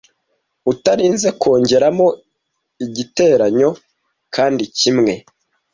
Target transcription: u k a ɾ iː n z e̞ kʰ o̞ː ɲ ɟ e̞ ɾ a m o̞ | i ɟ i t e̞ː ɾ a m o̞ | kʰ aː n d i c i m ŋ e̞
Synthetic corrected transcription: u t a ɾ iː n z e̞ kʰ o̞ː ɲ ɟ e̞ ɾ a m o̞ | i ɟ i t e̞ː ɾ a ɲ o̞ | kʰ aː n d i c i m ŋ e̞